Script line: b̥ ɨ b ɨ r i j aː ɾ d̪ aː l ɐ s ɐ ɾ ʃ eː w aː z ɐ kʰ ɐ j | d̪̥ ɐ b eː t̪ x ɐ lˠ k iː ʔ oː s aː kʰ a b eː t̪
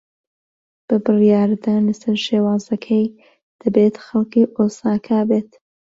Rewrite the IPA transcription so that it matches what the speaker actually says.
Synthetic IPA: b̥ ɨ b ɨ r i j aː ɾ d̪ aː l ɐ s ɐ ɾ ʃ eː w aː z ɐ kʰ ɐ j | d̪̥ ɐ b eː t̪ x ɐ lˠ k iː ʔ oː s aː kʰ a b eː t̪